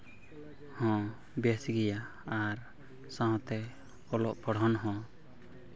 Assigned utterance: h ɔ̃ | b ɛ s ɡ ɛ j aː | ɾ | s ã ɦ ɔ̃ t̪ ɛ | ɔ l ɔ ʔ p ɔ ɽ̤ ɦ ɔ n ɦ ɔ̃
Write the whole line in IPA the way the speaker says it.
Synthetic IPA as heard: h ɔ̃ | b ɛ s ɡ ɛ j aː | ɾ | s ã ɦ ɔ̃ t̪ ɛ | ɔ l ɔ ʔ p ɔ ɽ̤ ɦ ɔ n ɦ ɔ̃